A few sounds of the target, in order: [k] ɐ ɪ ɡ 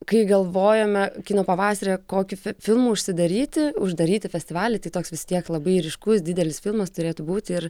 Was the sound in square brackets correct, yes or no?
yes